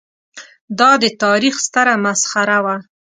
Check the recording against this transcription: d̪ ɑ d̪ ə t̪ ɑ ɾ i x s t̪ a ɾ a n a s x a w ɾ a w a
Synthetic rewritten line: d̪ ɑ d̪ ə t̪ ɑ ɾ i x s t̪ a ɾ a m a s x a ɾ a w a